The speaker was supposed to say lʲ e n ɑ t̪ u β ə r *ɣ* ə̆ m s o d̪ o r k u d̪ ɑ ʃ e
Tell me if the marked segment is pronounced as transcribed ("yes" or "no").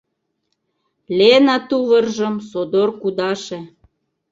no